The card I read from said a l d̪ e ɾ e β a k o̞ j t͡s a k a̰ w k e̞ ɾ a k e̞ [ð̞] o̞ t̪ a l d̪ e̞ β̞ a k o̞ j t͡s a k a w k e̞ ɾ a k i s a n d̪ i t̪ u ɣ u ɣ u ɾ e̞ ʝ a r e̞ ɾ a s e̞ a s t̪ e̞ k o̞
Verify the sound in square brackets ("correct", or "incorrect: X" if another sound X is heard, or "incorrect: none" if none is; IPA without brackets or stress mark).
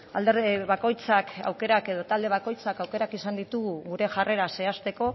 correct